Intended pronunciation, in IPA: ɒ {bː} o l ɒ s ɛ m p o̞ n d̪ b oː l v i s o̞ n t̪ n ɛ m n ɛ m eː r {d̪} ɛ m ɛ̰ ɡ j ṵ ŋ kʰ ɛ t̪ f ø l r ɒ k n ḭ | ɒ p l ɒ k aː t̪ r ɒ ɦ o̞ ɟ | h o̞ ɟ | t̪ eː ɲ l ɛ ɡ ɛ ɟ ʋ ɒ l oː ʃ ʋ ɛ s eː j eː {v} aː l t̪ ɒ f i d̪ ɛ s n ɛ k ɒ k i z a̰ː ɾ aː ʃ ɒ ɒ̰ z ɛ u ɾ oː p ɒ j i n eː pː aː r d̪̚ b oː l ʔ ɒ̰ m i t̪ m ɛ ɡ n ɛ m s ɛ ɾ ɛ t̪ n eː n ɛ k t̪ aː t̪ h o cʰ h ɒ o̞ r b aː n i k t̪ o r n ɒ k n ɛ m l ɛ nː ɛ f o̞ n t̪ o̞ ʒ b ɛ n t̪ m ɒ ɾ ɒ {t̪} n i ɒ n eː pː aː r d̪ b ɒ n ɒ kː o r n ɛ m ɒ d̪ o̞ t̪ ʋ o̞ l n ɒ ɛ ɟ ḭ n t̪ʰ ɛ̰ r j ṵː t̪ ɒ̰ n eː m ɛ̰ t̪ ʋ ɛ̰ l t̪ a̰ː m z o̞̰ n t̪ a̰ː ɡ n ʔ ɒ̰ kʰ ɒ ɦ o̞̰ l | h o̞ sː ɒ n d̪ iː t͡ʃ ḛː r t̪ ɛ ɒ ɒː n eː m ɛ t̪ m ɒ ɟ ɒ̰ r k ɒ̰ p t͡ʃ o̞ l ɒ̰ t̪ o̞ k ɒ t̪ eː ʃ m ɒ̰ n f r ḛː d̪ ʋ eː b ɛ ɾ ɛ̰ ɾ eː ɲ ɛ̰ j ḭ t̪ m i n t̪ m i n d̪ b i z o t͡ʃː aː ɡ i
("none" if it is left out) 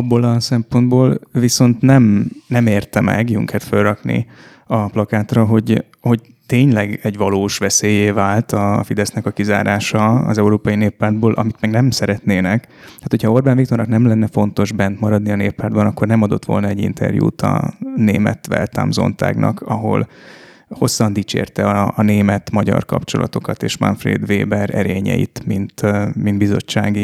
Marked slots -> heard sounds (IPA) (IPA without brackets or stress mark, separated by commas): bː, t̪, v, d̪